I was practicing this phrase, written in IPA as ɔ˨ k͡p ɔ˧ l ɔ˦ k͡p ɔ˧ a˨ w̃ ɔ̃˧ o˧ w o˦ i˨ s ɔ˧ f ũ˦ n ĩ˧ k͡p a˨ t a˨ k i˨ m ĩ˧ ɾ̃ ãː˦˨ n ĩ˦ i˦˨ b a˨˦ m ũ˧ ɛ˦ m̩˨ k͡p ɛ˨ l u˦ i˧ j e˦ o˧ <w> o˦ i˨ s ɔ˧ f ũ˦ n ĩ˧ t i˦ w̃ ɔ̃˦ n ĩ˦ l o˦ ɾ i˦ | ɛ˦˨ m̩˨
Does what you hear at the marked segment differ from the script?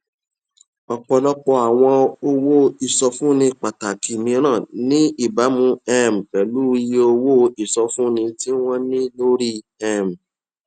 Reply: no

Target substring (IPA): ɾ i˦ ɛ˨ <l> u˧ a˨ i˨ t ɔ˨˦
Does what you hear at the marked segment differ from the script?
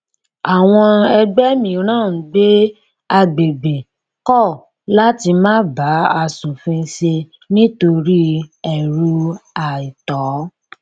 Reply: yes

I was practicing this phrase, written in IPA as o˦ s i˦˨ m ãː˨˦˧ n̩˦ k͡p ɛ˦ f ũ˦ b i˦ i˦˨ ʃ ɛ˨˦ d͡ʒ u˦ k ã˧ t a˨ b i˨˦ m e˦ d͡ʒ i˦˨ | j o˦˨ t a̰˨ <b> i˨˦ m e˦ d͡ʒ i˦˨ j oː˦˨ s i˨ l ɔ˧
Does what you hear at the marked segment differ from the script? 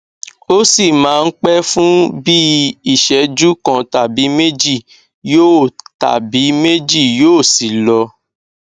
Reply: no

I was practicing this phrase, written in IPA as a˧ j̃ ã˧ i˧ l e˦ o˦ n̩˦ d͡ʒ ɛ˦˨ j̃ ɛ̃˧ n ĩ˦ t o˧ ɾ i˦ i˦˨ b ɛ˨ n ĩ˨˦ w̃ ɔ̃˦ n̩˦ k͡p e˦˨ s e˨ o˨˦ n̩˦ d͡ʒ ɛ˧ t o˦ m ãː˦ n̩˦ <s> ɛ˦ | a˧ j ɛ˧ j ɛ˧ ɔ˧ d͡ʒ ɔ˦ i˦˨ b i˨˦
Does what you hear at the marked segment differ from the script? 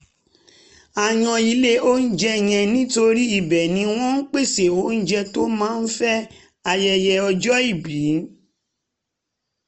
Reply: yes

